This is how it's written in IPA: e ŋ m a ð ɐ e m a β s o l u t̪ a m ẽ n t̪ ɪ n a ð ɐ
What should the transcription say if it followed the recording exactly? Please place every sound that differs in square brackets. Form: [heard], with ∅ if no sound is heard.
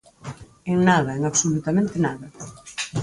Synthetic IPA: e ŋ [n] a ð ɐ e [ŋ] a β s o l u t̪ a m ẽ n t̪ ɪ n a ð ɐ